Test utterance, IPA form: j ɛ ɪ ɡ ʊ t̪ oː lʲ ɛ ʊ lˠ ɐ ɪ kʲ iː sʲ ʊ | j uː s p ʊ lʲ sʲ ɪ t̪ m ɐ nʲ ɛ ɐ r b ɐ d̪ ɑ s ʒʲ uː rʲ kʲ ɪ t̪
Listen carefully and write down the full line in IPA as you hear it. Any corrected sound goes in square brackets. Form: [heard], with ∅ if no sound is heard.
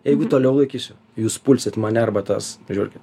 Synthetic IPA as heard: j ɛ ɪ ɡ ʊ t̪ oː lʲ ɛ ʊ lˠ ɐ ɪ kʲ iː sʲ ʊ | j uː s p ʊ lʲ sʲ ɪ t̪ m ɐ nʲ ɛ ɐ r b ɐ [t̪] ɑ s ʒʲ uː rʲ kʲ ɪ t̪